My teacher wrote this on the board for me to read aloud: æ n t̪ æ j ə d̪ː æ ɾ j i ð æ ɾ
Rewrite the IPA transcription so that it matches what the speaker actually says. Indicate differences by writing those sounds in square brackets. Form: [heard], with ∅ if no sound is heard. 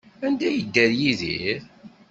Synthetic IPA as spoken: æ n [d̪] æ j ə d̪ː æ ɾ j i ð [i] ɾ